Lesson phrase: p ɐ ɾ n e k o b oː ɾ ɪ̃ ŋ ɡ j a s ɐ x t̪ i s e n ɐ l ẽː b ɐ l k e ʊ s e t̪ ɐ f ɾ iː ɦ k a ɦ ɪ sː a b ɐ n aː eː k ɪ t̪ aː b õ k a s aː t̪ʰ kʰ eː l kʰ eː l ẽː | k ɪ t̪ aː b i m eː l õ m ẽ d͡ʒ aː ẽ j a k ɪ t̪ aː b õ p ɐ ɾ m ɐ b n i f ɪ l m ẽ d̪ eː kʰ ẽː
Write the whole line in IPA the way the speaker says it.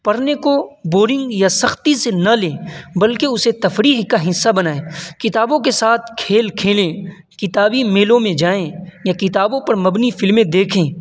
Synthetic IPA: p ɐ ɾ n e k o b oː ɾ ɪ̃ ŋ ɡ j a s ɐ x t̪ i s e n ɐ l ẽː b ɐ l k e ʊ s e t̪ ɐ f ɾ iː ɦ k a ɦ ɪ sː a b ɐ n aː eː k ɪ t̪ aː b õ k e s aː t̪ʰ kʰ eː l kʰ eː l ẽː | k ɪ t̪ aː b i m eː l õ m ẽ d͡ʒ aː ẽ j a k ɪ t̪ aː b õ p ɐ ɾ m ɐ b n i f ɪ l m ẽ d̪ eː kʰ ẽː